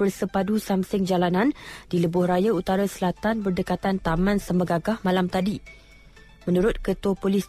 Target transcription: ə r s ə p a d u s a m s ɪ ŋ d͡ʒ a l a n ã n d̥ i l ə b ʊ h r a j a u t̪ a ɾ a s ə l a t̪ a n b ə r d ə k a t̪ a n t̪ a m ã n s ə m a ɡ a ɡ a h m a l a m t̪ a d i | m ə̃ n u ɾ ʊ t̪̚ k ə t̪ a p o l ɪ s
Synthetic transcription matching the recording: ə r s ə p a d u s a m s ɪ ŋ d͡ʒ a l a n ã n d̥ i l ə b ʊ h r a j a u t̪ a ɾ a s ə l a t̪ a n b ə r d ə k a t̪ a n t̪ a m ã n s ə m ə ɡ a ɡ a h m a l a m t̪ a d i | m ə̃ n u ɾ ʊ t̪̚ k ə t̪ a p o l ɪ s